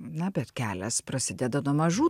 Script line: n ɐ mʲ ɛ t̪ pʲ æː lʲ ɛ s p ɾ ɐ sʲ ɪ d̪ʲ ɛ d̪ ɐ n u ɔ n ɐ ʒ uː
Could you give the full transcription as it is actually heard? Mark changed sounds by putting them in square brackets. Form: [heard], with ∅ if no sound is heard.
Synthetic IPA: n ɐ [bʲ] ɛ t̪ [kʲ] æː lʲ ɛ s p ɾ ɐ sʲ ɪ d̪ʲ ɛ d̪ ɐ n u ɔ [m] ɐ ʒ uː